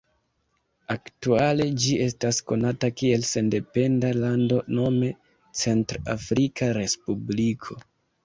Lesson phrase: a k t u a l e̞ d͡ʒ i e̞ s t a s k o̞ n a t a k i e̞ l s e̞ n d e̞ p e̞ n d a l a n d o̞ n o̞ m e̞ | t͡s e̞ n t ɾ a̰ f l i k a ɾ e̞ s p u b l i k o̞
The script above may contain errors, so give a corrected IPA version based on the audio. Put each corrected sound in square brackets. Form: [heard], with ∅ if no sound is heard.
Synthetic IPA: a k t u a l e̞ d͡ʒ i e̞ s t a s k o̞ n a t a k i e̞ l s e̞ n d e̞ p e̞ n d a l a n d o̞ n o̞ m e̞ | t͡s e̞ n t ɾ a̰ f [ɾ] i k a ɾ e̞ s p u b l i [kʰ] o̞